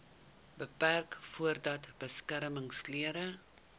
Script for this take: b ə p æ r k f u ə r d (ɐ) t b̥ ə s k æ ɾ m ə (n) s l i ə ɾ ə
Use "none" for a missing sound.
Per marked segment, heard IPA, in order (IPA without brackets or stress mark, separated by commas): ɐ, ŋ